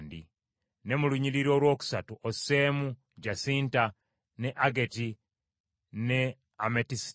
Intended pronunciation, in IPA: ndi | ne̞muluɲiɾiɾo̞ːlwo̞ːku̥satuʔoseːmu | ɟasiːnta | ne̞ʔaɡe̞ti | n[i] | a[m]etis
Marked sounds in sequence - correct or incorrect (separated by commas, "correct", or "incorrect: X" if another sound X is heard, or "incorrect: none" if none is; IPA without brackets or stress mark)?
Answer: incorrect: e, correct